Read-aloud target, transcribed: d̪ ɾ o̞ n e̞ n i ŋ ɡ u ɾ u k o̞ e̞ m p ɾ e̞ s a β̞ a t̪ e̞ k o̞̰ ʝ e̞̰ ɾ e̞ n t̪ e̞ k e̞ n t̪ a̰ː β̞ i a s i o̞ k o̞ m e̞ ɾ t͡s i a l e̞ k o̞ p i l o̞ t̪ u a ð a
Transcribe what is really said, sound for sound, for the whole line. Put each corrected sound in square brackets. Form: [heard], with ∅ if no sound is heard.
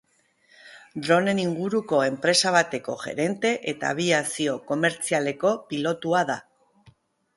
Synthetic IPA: d̪ ɾ o̞ n e̞ n i ŋ ɡ u ɾ u k o̞ e̞ m p ɾ e̞ s a β̞ a t̪ e̞ k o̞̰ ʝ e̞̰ ɾ e̞ n t̪ e̞ [ʔ] e̞ [∅] t̪ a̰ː β̞ i a s i o̞ k o̞ m e̞ ɾ t͡s i a l e̞ k o̞ p i l o̞ t̪ u a ð a